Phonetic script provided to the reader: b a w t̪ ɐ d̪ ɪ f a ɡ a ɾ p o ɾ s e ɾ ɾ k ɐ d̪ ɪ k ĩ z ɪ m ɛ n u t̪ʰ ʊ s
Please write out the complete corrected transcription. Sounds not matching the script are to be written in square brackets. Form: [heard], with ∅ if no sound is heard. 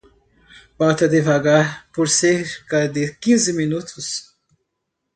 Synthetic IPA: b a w t̪ ɐ d̪ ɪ [v] a ɡ a ɾ p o ɾ s e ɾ ɾ k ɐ d̪ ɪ k ĩ z ɪ m [i] n u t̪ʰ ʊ s